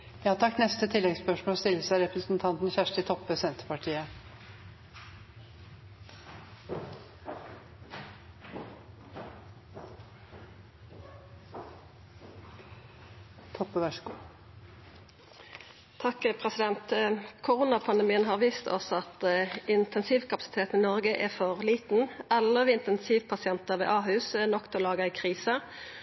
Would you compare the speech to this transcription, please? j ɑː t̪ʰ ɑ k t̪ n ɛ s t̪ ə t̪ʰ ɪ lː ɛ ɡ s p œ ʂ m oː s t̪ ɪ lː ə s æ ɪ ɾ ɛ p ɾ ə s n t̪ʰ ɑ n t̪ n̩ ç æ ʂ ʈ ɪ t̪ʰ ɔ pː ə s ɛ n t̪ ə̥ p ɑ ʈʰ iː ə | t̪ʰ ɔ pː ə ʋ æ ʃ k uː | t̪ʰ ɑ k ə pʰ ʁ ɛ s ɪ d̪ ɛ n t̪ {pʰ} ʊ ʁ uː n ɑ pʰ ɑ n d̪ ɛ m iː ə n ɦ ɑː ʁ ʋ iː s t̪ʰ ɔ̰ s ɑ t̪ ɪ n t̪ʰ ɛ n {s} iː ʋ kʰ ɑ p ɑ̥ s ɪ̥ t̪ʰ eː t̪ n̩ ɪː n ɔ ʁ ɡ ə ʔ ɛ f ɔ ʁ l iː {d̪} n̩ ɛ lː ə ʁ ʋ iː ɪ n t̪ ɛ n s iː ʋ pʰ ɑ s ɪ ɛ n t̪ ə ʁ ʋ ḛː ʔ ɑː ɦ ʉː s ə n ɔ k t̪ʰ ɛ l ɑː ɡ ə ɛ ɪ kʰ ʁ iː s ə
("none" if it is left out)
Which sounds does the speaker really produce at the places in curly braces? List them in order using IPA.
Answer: kʰ, s, t̪

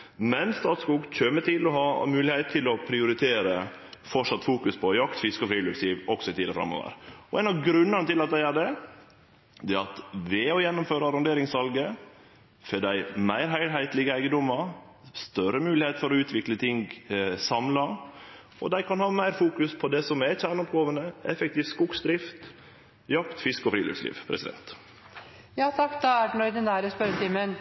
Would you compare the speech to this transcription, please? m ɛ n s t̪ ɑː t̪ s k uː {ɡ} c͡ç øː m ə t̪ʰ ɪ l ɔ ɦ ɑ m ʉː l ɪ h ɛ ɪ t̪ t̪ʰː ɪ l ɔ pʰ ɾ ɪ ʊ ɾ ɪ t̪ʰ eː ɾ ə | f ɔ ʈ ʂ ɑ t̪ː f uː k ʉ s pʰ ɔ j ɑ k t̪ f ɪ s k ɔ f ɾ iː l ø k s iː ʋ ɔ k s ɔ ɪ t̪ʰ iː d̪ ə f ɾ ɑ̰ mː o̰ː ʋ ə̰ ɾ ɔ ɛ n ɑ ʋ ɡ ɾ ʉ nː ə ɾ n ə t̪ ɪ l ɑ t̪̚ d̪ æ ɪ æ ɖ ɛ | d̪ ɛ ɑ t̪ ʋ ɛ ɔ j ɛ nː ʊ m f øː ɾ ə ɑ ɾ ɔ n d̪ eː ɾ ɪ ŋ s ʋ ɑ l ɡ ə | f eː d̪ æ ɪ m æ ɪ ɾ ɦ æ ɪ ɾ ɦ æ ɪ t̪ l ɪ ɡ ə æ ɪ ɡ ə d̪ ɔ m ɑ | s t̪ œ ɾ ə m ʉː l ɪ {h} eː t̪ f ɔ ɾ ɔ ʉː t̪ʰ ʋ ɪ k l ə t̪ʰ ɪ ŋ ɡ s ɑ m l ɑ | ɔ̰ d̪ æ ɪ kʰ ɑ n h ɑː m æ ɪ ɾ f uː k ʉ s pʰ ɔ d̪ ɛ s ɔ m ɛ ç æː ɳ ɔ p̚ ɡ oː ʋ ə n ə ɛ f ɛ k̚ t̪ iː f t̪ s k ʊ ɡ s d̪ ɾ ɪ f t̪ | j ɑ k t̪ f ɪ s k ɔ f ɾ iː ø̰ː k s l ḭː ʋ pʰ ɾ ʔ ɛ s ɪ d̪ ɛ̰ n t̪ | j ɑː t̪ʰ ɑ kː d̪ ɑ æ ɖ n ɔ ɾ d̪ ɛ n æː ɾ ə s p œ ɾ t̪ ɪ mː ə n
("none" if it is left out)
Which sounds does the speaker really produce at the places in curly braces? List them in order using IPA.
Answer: ɡ, h

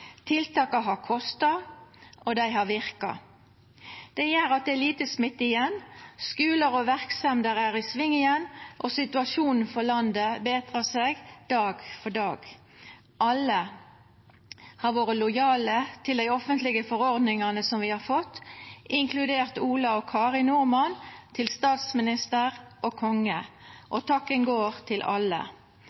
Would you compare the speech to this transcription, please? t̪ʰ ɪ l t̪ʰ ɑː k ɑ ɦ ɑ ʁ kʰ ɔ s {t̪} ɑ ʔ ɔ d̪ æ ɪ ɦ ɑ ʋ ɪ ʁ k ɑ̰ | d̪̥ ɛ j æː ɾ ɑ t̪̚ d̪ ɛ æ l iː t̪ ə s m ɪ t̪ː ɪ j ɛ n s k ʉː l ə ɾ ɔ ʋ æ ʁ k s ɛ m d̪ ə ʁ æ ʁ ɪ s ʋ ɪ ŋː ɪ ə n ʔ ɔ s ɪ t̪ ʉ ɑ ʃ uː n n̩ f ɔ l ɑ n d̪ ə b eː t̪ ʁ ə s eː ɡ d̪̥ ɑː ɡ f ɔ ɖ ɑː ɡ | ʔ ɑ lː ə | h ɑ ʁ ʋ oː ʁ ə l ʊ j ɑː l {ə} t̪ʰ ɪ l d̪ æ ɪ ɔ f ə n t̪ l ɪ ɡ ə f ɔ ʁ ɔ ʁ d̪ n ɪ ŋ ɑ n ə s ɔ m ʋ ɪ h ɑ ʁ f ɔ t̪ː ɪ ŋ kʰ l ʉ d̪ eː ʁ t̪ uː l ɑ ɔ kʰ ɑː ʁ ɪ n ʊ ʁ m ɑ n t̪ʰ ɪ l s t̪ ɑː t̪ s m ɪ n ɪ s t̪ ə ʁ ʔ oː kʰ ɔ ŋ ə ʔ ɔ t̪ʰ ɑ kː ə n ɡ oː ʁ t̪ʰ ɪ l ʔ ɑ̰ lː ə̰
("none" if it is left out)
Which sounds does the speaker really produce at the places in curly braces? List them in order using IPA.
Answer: t̪, ə

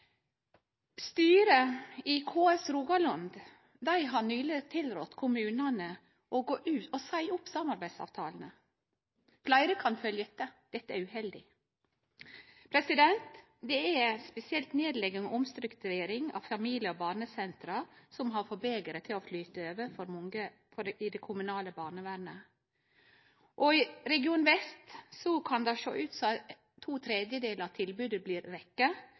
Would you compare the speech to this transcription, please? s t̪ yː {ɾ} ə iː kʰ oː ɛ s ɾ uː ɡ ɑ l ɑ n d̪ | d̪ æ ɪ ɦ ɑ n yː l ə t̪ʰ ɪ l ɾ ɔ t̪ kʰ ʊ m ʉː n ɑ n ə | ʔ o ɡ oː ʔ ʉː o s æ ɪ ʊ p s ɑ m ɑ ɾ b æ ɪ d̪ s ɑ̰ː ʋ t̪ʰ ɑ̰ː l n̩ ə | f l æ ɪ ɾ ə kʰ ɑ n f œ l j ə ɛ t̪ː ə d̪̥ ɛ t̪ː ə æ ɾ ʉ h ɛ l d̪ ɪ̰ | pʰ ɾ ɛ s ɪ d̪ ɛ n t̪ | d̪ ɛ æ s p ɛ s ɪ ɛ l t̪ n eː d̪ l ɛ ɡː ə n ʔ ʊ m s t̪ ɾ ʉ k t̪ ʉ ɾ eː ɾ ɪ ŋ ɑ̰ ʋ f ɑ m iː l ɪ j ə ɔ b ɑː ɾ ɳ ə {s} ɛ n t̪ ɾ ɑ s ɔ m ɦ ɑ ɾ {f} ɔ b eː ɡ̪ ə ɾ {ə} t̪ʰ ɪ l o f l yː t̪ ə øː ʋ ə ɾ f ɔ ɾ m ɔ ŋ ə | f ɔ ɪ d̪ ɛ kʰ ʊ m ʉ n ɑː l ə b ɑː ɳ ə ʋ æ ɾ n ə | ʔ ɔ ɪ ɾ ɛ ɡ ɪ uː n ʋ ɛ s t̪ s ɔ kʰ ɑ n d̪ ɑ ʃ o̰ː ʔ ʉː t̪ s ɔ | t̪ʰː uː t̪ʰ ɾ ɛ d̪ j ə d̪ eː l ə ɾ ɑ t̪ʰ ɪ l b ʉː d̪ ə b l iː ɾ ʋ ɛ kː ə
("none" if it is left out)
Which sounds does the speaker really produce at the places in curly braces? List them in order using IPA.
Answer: ɾ, s, f, ə

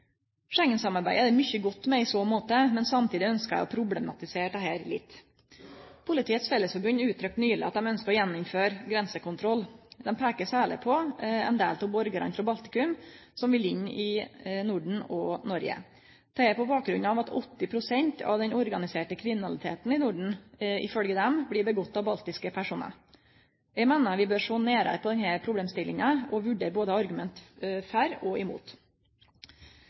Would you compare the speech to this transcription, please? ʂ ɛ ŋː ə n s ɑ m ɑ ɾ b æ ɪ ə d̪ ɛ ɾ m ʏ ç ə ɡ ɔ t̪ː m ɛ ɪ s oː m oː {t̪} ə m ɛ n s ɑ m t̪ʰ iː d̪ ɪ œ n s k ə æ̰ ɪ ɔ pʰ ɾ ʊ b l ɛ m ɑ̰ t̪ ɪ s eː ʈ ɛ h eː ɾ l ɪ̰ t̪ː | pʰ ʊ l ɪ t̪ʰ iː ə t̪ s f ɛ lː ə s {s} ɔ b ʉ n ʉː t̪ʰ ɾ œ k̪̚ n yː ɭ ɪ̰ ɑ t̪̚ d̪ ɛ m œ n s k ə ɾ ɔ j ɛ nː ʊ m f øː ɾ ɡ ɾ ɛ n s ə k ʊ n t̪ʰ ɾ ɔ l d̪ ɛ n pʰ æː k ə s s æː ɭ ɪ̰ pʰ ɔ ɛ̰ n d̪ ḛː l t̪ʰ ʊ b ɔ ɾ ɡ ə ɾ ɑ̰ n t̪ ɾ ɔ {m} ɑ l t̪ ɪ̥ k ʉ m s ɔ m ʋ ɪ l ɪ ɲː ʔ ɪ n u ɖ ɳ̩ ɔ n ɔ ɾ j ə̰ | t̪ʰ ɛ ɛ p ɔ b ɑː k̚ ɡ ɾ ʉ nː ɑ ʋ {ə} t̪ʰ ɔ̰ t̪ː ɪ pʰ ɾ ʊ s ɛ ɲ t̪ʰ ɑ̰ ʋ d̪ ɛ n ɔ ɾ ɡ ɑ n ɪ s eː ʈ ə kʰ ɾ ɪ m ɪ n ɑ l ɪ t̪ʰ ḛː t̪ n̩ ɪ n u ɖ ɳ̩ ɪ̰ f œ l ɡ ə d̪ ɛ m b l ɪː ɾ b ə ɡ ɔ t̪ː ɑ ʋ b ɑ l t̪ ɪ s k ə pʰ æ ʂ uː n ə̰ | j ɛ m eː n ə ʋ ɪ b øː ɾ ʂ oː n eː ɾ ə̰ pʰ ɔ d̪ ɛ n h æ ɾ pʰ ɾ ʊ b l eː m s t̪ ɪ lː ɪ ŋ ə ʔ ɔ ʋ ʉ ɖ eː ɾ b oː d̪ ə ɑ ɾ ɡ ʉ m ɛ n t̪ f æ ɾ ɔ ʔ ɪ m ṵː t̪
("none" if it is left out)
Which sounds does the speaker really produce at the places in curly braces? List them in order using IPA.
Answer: t̪, f, b, ɑ

